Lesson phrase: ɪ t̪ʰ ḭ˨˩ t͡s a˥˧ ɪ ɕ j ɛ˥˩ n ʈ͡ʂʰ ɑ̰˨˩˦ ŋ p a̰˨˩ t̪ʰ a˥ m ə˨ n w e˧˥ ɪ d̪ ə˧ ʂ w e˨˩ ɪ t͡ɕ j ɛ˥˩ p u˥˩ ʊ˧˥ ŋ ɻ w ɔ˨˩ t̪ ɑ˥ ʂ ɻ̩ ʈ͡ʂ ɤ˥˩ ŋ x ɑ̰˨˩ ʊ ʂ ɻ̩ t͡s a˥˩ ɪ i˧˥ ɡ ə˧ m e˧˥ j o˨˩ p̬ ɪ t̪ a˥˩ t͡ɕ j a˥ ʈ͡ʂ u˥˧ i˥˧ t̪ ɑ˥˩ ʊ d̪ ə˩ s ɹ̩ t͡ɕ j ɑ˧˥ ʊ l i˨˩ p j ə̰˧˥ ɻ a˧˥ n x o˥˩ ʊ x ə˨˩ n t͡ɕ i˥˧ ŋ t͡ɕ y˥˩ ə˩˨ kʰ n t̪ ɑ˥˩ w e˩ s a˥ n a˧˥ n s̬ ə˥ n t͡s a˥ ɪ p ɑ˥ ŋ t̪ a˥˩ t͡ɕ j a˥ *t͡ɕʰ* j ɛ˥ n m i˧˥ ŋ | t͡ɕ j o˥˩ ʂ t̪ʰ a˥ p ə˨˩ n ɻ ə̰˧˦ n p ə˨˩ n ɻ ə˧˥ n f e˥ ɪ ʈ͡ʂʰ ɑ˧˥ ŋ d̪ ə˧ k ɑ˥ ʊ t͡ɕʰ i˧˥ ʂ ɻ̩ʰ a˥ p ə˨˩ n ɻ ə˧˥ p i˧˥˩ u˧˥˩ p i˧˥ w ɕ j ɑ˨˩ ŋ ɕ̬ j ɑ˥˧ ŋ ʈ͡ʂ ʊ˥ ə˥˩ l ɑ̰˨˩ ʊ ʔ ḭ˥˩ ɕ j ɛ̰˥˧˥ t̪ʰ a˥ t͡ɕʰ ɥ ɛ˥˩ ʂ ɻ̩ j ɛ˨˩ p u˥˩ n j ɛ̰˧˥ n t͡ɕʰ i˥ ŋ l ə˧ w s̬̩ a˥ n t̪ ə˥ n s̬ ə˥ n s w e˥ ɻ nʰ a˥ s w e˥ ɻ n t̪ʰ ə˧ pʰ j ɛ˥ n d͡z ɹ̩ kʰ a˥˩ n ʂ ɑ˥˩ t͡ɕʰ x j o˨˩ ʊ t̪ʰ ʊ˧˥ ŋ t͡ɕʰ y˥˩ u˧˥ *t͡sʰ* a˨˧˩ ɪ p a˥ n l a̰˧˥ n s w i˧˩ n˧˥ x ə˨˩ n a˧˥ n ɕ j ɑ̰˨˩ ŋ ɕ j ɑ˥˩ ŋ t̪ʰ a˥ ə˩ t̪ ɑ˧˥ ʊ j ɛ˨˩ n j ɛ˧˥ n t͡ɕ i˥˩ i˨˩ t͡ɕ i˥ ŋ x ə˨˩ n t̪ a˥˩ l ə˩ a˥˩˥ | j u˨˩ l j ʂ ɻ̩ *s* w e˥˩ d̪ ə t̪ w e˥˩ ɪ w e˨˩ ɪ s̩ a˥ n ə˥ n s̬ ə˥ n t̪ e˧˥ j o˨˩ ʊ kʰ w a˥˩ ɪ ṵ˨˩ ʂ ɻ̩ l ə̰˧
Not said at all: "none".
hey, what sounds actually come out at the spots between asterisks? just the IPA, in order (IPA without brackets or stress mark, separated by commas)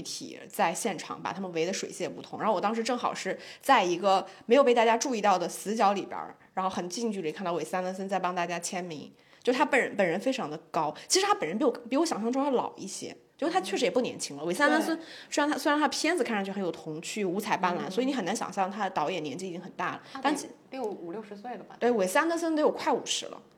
t͡ɕʰ, t͡sʰ, s